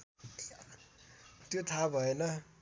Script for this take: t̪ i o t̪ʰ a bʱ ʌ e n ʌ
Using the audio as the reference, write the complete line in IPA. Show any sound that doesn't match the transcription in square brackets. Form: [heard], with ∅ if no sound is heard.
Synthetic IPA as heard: t̪ [j] o t̪ʰ a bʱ ʌ e n ʌ